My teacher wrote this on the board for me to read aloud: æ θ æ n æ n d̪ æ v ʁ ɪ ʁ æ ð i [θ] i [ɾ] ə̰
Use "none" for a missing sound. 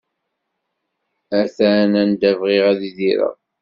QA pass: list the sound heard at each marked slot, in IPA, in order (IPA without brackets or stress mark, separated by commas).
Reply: ð, ɾ